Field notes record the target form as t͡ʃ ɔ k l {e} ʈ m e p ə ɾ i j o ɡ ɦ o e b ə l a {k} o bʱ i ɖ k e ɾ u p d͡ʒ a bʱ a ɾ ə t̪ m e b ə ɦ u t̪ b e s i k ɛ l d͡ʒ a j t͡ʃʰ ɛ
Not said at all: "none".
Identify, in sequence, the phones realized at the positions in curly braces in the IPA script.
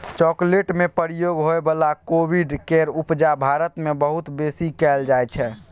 e, k

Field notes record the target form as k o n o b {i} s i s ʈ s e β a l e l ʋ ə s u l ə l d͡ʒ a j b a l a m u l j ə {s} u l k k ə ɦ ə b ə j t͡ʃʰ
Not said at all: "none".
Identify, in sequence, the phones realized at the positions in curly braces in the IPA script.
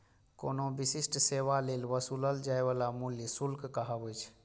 i, s

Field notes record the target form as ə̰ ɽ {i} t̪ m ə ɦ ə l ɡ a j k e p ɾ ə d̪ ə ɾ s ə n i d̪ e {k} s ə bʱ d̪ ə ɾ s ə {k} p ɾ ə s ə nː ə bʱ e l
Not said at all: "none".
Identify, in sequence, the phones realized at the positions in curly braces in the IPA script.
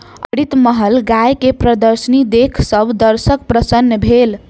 i, kʰ, k

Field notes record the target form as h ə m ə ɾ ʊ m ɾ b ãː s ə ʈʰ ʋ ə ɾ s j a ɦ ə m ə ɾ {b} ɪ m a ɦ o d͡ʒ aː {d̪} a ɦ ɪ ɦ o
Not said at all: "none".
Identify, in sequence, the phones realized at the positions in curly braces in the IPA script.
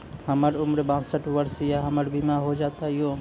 b, t̪

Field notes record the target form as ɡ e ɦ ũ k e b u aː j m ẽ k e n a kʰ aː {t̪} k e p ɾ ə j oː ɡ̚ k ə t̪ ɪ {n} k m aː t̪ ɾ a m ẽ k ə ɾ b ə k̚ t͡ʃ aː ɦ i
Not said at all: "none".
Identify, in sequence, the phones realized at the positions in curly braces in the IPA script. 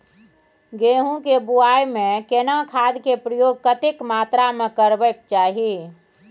d̪, none

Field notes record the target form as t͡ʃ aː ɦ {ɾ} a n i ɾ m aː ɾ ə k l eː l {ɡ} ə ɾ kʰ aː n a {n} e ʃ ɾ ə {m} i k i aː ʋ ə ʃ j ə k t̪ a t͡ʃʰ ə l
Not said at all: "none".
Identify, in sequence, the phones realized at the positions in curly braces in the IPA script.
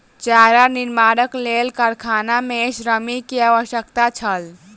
ɾ, k, m, m

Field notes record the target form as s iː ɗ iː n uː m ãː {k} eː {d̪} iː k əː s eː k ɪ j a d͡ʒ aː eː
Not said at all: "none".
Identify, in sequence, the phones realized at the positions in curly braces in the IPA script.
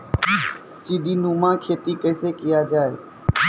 kʰ, t̪

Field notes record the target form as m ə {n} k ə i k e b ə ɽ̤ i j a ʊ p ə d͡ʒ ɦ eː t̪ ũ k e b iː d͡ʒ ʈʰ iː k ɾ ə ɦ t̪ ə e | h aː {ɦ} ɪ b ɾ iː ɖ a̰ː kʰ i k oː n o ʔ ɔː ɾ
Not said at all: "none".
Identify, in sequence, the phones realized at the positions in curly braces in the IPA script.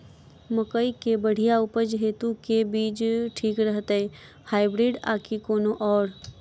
none, none

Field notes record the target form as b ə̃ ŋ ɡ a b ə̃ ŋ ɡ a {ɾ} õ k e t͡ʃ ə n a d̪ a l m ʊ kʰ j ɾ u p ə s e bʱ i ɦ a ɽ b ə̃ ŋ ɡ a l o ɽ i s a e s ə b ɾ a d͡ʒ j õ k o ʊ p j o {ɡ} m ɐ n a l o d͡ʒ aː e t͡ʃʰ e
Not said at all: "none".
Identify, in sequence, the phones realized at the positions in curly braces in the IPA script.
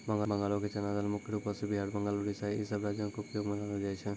l, ɡ

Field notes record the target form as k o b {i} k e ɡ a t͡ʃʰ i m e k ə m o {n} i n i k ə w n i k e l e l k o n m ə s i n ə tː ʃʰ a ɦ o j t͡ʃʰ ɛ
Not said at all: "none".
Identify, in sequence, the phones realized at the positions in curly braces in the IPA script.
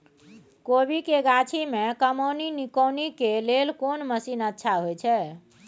i, n

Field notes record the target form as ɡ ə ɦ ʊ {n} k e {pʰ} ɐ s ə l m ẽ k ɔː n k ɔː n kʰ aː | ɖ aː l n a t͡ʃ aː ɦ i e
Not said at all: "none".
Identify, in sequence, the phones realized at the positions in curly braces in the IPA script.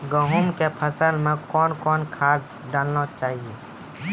m, pʰ

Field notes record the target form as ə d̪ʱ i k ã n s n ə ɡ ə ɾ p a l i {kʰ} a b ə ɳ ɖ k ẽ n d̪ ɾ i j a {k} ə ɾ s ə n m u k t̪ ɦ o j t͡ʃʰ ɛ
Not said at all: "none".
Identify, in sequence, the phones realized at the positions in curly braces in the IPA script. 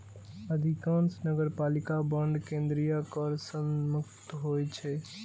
k, k

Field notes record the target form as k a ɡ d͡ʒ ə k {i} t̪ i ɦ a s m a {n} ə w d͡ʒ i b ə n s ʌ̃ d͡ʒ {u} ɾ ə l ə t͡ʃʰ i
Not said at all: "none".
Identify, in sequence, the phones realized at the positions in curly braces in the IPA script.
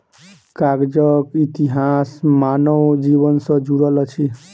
i, n, u

